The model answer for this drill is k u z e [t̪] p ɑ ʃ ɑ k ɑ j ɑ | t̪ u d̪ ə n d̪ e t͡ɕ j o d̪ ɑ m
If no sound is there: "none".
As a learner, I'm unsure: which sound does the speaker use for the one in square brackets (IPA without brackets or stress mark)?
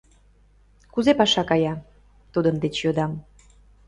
none